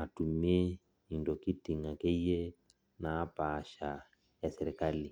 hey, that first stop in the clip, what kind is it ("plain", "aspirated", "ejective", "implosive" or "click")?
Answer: plain